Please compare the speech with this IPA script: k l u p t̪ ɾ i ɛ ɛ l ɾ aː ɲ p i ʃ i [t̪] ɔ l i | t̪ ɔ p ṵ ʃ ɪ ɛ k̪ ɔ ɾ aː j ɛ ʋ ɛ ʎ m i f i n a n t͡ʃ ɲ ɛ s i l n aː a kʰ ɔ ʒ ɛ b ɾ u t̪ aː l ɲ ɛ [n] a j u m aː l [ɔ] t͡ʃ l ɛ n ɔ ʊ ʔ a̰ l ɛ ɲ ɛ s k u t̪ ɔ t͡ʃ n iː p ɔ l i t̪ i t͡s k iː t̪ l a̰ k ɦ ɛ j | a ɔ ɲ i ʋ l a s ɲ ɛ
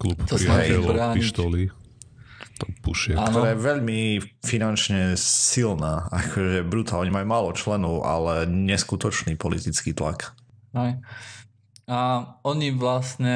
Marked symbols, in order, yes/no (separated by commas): yes, no, yes